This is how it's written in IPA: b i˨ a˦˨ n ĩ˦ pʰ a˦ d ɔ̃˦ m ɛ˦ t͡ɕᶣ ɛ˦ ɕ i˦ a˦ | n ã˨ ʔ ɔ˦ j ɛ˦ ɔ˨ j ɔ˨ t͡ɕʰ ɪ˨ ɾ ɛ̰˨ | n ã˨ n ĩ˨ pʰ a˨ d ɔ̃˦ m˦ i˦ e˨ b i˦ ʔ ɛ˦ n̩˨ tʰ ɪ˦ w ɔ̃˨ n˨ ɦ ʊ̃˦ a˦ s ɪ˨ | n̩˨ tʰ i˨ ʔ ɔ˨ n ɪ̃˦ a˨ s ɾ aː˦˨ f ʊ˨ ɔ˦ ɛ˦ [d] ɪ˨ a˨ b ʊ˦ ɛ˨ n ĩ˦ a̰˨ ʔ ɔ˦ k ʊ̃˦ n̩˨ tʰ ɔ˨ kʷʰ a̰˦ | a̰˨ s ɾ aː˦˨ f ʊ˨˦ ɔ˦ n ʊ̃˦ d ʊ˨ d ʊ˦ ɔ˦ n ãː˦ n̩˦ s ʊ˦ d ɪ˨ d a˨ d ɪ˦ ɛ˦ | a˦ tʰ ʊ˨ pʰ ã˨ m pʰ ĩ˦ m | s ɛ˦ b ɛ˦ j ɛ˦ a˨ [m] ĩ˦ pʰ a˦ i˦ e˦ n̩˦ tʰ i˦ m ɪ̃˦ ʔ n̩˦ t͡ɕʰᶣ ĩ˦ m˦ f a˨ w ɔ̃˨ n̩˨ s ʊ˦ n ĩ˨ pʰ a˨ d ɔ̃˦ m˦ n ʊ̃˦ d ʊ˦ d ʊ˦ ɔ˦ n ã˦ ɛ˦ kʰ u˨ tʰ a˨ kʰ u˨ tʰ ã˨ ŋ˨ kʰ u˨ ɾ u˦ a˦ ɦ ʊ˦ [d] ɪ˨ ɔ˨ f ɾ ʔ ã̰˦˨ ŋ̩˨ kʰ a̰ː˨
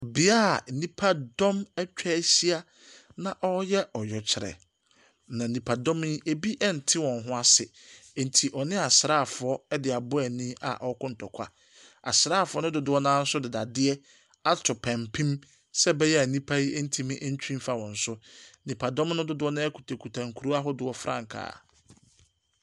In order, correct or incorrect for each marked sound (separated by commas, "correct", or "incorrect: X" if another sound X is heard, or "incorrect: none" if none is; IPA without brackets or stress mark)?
correct, incorrect: n, correct